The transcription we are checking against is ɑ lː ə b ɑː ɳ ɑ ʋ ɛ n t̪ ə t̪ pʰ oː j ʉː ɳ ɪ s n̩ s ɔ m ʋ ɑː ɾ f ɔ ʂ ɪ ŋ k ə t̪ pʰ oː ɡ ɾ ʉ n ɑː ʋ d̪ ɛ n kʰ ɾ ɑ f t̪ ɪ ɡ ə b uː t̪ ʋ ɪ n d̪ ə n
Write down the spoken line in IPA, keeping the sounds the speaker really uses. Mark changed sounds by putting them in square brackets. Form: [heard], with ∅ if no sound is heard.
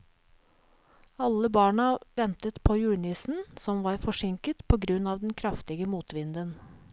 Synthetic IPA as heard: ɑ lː ə b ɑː ɳ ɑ ʋ ɛ n t̪ ə t̪ pʰ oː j ʉː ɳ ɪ s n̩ s ɔ m ʋ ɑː ɾ f ɔ ʂ ɪ ŋ k ə t̪ pʰ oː ɡ ɾ ʉ n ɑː ʋ d̪ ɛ n kʰ ɾ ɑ f t̪ ɪ ɡ ə [m] uː t̪ ʋ ɪ n d̪ ə n